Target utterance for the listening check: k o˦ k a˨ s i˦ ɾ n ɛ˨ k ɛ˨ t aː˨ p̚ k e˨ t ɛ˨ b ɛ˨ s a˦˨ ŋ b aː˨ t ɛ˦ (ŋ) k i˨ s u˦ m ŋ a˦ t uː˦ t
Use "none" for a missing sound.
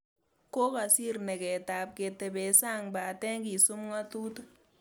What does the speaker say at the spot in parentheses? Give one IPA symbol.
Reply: ŋ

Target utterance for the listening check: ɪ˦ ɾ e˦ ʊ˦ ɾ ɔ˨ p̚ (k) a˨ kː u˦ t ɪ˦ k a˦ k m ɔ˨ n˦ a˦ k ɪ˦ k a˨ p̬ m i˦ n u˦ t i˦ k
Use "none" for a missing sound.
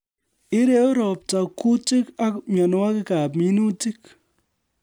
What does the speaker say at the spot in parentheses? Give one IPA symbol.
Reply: t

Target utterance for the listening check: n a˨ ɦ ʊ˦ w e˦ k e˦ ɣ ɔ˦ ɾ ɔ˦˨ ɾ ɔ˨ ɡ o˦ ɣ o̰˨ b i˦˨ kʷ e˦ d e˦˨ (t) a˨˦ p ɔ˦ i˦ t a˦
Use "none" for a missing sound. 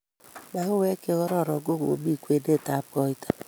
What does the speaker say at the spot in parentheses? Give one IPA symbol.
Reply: t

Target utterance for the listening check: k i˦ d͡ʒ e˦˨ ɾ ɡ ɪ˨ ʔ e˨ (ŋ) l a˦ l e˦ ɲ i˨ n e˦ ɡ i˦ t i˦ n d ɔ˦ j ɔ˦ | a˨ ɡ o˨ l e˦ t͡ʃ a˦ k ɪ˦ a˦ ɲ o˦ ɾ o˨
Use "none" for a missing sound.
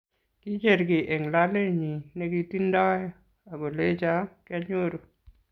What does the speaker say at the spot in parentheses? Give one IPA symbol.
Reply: ŋ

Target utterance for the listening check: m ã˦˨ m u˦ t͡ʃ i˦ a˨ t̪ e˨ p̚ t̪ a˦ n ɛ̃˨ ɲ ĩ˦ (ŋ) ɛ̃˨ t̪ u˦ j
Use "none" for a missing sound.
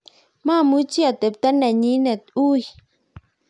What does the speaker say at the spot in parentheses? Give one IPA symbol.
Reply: n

